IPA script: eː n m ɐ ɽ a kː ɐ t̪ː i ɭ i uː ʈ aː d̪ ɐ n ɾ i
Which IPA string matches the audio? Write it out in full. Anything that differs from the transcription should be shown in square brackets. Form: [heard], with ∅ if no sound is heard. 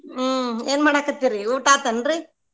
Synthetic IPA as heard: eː n m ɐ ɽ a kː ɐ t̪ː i [ɾ] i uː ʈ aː [t̪] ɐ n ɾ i